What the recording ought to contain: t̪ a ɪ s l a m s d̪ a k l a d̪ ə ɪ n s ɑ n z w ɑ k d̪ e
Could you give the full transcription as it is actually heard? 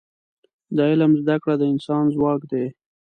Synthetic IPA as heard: d̪ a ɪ l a m z d̪ a k ɽ a d̪ ə ɪ n s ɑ n z w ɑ k d̪ e